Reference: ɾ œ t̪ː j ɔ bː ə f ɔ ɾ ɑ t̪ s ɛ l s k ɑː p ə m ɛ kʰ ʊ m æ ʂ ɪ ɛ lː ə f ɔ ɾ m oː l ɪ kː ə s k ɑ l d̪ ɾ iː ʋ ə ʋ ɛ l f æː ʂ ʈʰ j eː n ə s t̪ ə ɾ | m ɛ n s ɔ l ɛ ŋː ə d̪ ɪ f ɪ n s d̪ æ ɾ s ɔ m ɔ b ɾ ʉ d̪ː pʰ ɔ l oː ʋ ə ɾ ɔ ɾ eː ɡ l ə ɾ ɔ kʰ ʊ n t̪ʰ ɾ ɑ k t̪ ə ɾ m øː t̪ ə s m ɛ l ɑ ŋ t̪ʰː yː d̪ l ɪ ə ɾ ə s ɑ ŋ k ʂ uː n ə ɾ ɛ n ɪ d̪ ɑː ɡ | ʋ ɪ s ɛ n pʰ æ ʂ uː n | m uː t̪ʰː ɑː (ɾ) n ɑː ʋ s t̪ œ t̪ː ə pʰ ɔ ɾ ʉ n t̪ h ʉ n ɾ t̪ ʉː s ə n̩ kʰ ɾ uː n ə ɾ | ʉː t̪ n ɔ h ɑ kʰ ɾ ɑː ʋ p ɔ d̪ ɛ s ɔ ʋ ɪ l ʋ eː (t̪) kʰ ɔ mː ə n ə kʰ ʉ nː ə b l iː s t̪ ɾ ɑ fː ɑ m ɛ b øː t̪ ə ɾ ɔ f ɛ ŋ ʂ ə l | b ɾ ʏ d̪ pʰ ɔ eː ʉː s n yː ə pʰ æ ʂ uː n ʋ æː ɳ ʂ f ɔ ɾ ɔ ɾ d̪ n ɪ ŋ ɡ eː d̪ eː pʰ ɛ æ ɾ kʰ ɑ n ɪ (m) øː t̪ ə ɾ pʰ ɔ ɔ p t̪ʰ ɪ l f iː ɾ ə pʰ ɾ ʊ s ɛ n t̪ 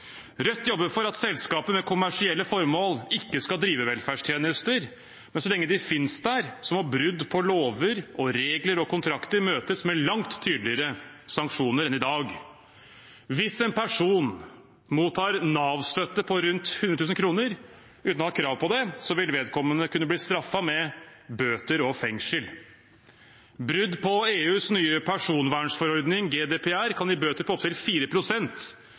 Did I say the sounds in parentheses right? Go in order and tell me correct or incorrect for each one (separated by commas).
correct, incorrect, incorrect